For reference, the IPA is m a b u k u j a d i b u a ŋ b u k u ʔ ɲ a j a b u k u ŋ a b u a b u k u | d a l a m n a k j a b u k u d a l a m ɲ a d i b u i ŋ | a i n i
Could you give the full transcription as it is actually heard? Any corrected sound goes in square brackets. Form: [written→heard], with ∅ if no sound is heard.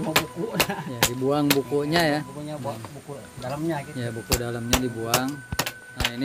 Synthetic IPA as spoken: m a b u k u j a d i b u a ŋ b u k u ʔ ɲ a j a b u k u [ŋ→ɲ] a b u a b u k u | d a l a m [n→ɲ] a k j a b u k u d a l a m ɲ a d i b u [i→a] ŋ | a i n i

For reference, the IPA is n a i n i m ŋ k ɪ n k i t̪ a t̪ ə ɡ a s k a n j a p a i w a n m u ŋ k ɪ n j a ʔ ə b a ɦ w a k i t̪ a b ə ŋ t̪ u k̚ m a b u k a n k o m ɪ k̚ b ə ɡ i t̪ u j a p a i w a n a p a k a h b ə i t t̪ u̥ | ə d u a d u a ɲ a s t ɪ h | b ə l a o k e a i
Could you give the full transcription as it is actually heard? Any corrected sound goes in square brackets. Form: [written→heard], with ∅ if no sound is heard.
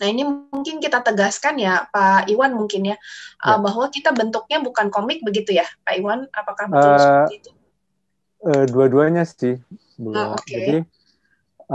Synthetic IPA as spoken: n a i n i m ŋ k ɪ n k i t̪ a t̪ ə ɡ a s k a n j a p a i w a n m u ŋ k ɪ n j a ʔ ə b a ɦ w a k i t̪ a b ə [ŋ→n] t̪ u k̚ [m→ɲ] a b u k a n k o m ɪ k̚ b ə ɡ i t̪ u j a p a i w a n a p a k a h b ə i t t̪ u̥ | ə d u a d u a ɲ a s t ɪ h | b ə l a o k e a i

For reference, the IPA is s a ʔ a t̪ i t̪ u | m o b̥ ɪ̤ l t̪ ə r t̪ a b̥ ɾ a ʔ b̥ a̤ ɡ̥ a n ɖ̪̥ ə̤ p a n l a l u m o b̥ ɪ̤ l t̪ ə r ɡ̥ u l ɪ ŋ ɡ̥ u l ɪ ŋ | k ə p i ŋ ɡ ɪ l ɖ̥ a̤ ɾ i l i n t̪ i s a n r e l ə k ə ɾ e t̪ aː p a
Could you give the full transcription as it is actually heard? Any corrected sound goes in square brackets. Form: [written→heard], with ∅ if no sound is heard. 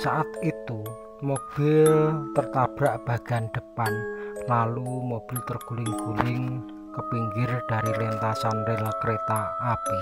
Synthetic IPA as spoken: s a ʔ a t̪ i t̪ u | m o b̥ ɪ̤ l t̪ ə r t̪ a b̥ ɾ a ʔ b̥ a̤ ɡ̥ a n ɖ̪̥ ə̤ p a n l a l u m o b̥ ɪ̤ l t̪ ə r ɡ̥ u l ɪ ŋ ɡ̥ u l ɪ ŋ | k ə p i ŋ ɡ ɪ [l→r] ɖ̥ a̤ ɾ i l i n t̪ [i→a] s a n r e l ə k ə ɾ e t̪ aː p [a→i]

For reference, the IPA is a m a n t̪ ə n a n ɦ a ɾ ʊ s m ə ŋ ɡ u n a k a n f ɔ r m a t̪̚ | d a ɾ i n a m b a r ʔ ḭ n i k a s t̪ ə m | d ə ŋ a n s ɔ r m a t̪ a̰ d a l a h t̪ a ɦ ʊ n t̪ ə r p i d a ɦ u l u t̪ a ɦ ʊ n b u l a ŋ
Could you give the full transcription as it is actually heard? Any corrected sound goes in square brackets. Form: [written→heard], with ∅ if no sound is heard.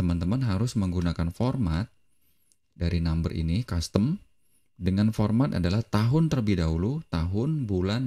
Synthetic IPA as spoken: [a→ə] m a n t̪ ə [n→m] a n ɦ a ɾ ʊ s m ə ŋ ɡ u n a k a n f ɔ r m a t̪̚ | d a ɾ i n a m b [a→ə] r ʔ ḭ n i k a s t̪ ə m | d ə ŋ a n [s→f] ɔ r m a t̪ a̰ d a l a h t̪ a ɦ ʊ n t̪ ə r [p→b] i d a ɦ u l u t̪ a ɦ ʊ n b u l a [ŋ→n]

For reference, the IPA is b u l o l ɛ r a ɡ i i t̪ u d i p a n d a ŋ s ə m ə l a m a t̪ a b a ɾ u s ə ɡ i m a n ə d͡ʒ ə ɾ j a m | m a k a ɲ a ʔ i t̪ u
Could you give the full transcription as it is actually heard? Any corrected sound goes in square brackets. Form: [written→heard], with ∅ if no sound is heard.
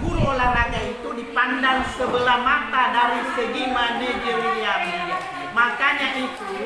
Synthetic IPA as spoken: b u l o l [ɛ→a] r a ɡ [i→a] i t̪ u d i p a n d a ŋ s ə [m→b] ə l a m a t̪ a [b→d] a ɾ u s ə ɡ i m a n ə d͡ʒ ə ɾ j a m | m a k a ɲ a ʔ i t̪ u

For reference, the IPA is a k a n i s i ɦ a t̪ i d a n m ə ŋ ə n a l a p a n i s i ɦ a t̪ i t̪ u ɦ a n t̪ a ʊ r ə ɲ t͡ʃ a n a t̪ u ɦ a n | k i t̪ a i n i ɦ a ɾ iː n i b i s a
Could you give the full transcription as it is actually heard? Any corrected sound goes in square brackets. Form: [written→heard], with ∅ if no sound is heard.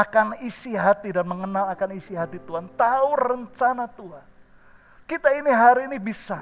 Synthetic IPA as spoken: a k a n i s i ɦ a t̪ i d a n m ə ŋ ə n a l a [p→k] a n i s i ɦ a t̪ i t̪ u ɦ a n t̪ a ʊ r ə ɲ t͡ʃ a n a t̪ u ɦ a n | k i t̪ a i n i ɦ a ɾ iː n i b i s a

